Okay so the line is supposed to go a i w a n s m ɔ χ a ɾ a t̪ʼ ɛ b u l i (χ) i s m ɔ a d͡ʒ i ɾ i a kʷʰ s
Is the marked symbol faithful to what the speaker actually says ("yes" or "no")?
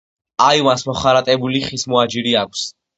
yes